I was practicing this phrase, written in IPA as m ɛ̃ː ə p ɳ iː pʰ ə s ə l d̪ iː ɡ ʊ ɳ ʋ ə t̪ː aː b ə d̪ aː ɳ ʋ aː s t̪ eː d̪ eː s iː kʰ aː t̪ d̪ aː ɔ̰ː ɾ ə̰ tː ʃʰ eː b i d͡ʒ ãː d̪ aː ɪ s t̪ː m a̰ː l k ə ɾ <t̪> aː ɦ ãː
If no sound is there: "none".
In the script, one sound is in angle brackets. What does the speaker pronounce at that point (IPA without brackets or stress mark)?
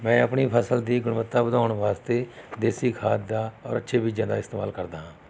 d̪